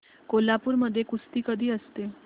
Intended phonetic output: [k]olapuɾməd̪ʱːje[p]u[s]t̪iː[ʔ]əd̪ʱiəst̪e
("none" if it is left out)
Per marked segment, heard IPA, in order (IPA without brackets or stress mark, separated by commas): k, k, s, k